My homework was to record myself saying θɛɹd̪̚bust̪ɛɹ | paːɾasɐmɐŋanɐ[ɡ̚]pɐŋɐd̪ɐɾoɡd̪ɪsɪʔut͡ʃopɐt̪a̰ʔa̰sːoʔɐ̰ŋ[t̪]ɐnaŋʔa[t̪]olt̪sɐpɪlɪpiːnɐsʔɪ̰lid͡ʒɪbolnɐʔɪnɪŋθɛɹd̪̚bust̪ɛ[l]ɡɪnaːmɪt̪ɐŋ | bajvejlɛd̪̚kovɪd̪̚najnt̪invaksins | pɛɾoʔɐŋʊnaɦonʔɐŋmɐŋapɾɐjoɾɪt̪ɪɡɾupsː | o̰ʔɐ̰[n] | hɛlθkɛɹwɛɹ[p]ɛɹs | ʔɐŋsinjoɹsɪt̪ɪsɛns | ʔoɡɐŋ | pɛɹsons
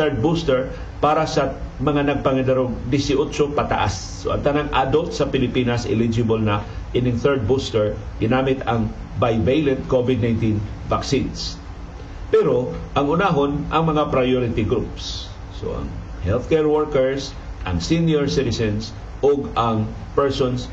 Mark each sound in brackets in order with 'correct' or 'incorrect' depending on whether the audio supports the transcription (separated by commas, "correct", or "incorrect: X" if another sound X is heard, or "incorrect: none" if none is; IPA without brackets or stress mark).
correct, correct, incorrect: d̪, incorrect: ɹ, incorrect: ŋ, incorrect: k